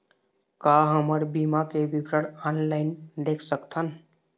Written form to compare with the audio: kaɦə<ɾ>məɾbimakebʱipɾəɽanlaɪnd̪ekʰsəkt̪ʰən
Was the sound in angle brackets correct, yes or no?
no